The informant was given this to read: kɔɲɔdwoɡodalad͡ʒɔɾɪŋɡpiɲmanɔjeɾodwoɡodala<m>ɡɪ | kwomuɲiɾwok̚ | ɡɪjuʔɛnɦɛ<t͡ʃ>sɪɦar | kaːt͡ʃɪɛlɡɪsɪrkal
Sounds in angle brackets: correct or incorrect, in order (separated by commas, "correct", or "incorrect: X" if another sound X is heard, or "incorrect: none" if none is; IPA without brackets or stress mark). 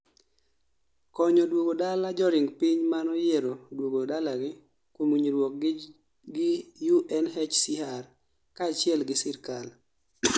incorrect: none, correct